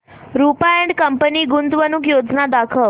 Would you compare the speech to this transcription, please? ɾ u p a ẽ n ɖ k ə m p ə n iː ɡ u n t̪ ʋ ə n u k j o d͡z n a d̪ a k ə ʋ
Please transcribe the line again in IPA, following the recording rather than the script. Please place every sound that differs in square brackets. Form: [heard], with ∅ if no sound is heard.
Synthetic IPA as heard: ɾ u p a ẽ [ɳ] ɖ k ə m p ə n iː ɡ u n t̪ ʋ ə n u k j o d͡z n a d̪ a [kʰ] ə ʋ